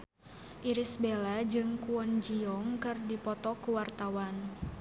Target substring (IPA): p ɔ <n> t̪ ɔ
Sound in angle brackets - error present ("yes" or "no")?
yes